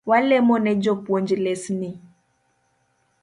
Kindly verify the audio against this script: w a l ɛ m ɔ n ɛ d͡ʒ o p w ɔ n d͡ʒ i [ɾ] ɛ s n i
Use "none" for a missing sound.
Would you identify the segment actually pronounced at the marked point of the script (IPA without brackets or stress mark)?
l